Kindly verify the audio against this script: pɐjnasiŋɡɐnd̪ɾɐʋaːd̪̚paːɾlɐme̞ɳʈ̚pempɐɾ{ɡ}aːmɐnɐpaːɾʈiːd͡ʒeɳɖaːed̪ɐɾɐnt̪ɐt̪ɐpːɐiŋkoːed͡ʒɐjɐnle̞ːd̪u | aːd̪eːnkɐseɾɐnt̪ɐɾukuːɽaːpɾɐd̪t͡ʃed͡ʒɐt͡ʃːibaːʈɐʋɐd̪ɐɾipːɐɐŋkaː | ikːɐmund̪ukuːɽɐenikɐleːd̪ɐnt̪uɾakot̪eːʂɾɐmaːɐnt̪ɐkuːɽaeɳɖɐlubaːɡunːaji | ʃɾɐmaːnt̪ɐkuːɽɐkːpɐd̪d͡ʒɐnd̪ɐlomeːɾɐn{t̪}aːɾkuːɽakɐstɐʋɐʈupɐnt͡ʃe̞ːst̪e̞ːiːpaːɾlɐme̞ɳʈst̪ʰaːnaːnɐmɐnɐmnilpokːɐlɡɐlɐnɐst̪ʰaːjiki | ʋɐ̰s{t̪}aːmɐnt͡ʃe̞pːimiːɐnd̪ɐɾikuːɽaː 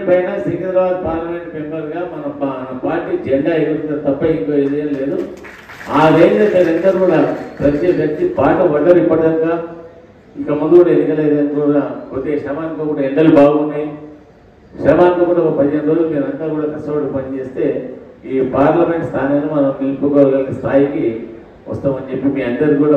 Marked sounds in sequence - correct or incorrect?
correct, correct, correct

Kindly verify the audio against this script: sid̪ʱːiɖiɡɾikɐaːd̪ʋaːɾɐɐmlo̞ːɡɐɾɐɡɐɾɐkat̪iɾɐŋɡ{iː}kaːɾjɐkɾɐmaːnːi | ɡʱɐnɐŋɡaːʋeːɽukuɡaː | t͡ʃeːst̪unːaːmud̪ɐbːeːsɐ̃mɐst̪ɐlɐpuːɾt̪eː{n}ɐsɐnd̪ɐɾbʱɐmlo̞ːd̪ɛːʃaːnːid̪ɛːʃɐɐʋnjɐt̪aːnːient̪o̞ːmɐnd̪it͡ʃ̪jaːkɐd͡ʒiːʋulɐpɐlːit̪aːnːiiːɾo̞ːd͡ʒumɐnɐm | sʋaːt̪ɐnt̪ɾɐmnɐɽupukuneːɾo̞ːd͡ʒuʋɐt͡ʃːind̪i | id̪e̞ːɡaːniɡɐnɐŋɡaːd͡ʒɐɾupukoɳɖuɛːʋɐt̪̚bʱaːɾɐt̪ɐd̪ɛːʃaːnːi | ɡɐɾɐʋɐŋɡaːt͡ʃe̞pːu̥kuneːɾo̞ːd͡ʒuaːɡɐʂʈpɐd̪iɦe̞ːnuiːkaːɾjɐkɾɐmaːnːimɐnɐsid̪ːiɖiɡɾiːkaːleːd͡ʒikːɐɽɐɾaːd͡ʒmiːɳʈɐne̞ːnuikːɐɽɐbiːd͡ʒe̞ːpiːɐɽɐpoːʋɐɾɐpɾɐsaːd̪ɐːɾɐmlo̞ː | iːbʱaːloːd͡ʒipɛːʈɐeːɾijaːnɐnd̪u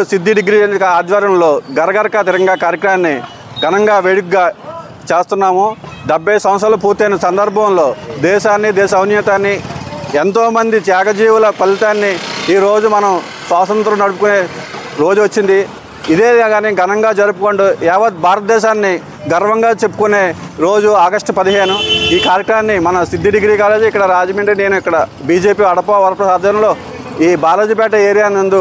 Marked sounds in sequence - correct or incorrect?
incorrect: aː, correct

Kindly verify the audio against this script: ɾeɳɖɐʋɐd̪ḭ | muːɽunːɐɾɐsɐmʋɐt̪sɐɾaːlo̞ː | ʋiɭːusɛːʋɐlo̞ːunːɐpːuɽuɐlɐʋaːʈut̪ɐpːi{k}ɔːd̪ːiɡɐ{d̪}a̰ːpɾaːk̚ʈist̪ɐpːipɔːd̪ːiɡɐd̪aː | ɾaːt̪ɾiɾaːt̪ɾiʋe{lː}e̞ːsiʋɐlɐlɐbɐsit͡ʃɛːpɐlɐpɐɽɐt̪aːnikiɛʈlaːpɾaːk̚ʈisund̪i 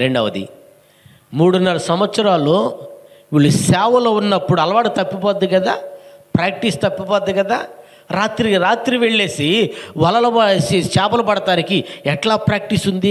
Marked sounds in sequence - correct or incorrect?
incorrect: p, correct, incorrect: ɭː

